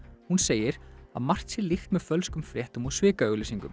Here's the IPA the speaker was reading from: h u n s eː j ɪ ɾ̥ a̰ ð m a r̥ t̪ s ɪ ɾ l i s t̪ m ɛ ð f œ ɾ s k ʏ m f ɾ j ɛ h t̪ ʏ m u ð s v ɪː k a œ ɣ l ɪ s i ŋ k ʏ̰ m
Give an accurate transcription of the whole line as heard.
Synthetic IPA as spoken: h u n s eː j ɪ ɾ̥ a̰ ð m a r̥ t̪ s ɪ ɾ l i x t̪ m ɛ ð f œ l s k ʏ m f ɾ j ɛ h t̪ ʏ m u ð s v ɪː k a œ ɣ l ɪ s i ŋ k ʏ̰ m

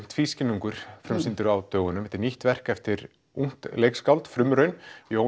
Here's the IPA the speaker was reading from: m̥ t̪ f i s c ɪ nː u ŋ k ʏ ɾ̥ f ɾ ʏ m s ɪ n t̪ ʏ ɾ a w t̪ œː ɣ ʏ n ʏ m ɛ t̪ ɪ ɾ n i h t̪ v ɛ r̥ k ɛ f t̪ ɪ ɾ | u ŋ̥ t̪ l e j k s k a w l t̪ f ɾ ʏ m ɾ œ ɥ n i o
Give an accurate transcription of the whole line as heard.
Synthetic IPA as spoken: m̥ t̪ f i s c ɪ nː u ŋ k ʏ ɾ̥ f ɾ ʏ m s ɪ n t̪ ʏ ɾ a w t̪ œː ɣ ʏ n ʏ m ɛ t̪ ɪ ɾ n i h t̪ v ɛ r̥ k ɛ f t̪ ɪ ɾ | u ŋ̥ t̪ l e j k s k a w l t̪ f ɾ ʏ m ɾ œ ɥ n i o

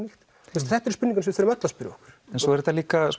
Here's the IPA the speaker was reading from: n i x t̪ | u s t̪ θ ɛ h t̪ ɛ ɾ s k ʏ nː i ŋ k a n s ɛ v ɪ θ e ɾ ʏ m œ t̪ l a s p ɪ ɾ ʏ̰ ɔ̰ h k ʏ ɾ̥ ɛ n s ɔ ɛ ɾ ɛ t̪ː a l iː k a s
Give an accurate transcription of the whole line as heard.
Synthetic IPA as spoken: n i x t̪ | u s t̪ θ ɛ h t̪ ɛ ɾ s p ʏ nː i ŋ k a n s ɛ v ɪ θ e ɾ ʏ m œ t̪ l a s p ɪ ɾ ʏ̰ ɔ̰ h k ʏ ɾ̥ ɛ n s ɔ ɛ ɾ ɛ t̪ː a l iː k a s

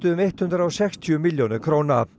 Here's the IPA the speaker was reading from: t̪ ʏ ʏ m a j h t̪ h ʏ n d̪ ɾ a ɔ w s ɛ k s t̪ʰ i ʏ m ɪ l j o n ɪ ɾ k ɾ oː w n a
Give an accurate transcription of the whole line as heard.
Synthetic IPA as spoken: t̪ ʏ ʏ m e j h t̪ h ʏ n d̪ ɾ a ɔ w s ɛ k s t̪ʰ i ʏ m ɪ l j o n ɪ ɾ kʰ ɾ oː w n a

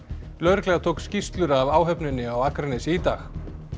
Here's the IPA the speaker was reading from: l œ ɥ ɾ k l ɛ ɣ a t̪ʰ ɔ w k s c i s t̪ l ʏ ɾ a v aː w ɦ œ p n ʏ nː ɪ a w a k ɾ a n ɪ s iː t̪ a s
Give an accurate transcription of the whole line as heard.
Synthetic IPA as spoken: l œ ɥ ɾ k l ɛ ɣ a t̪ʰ o w k s c i s t̪ l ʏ ɾ a v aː w ɦ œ p n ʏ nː ɪ a w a k ɾ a n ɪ s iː t̪ a x

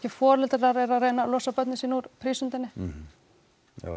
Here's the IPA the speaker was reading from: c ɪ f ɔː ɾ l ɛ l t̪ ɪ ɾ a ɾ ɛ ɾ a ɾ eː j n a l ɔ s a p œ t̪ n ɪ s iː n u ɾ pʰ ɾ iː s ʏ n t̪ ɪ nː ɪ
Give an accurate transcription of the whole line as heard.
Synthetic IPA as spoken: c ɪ f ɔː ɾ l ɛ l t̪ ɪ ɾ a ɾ ɛ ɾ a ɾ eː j n a l ɔ s a p œ t̪ n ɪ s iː n u ɾ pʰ ɾ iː s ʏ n t̪ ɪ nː ɪ

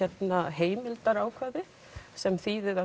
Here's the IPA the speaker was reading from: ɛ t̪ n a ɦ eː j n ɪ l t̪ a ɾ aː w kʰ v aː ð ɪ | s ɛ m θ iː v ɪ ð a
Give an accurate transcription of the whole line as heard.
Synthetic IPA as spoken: ɛ t̪ n a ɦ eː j m ɪ l t̪ a ɾ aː w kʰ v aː ð ɪ | s ɛ m θ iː ð ɪ ð a

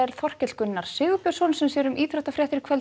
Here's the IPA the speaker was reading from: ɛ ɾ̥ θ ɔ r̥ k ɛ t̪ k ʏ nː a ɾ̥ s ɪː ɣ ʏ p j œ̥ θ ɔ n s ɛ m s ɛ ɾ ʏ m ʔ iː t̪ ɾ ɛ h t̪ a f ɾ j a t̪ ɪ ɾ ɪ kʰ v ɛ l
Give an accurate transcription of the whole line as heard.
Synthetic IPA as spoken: ɛ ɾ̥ θ ɔ r̥ c ɛ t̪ k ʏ nː a ɾ̥ s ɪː ɣ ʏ p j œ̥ s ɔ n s ɛ m s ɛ ɾ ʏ m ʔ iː t̪ ɾ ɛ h t̪ a f ɾ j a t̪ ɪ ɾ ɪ kʰ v ɛ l

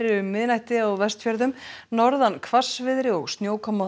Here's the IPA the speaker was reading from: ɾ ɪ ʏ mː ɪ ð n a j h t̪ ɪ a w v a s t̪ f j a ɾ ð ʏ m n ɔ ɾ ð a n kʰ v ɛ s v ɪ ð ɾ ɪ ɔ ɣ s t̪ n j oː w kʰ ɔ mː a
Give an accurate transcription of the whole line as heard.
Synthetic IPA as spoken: ɾ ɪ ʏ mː ɪ ð n a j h t̪ ɪ a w v ɛ s t̪ f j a ɾ ð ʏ m n ɔ ɾ ð a n kʰ v a s v ɪ ð ɾ ɪ ɔ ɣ s t̪ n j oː w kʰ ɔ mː a

